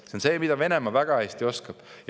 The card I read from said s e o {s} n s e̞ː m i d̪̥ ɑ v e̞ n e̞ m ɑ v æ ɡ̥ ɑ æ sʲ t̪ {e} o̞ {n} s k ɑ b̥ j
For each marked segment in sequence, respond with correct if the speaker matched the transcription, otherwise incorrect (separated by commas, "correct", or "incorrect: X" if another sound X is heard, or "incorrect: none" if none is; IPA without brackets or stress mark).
incorrect: none, incorrect: i, incorrect: none